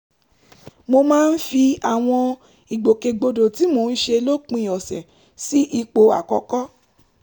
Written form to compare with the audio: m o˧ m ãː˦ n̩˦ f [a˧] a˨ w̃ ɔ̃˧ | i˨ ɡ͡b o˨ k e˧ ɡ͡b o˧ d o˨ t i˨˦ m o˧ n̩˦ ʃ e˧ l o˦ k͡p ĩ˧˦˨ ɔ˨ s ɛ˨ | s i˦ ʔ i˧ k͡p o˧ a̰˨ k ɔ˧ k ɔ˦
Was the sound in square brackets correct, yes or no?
no